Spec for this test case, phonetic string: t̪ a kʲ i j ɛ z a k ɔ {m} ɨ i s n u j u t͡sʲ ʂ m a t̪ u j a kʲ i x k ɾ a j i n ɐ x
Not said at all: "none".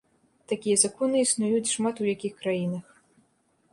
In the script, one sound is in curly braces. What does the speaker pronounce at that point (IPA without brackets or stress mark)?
n